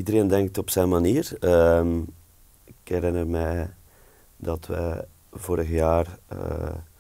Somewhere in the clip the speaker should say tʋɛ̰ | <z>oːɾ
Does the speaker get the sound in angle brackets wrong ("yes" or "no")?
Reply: yes